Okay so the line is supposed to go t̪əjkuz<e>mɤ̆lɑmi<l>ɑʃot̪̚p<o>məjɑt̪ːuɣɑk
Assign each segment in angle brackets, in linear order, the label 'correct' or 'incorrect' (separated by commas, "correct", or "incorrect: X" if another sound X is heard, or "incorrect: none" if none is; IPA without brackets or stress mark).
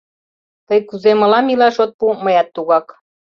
correct, correct, incorrect: u